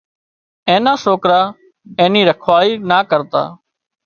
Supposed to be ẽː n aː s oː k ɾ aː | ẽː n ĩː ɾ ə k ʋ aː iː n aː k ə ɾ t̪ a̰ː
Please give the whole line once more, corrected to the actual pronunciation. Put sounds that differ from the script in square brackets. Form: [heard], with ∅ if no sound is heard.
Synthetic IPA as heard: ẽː n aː s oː k ɾ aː | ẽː n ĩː ɾ ə [kʰ] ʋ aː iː n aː k ə ɾ t̪ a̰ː

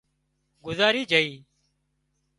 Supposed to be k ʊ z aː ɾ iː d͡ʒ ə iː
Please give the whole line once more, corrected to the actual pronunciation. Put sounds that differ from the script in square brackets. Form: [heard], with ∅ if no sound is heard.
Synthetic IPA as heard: [ɡ] ʊ z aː ɾ iː d͡ʒ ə iː

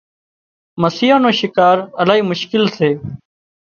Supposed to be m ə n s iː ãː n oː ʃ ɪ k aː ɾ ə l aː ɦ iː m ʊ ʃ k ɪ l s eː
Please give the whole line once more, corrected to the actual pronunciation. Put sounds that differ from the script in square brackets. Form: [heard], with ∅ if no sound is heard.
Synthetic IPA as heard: m ə [∅] s iː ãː n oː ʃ ɪ k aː ɾ ə l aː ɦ iː m ʊ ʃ k ɪ l s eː

